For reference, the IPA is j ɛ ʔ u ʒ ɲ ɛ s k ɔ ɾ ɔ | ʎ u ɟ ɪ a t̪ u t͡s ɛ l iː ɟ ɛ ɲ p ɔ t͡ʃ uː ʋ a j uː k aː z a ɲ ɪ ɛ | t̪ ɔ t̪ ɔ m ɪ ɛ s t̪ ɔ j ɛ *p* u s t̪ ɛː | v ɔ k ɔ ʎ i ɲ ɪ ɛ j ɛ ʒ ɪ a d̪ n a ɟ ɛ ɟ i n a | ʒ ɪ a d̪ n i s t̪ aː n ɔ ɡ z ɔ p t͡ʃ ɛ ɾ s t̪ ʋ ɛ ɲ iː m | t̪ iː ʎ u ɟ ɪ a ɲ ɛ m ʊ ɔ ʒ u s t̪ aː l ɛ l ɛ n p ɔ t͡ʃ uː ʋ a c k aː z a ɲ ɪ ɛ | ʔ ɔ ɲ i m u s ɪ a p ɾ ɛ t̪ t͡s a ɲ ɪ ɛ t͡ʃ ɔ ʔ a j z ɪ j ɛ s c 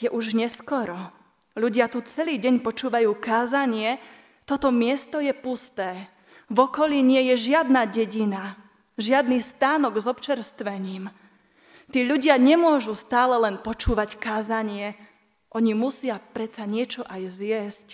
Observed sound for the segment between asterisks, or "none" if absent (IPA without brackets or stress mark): p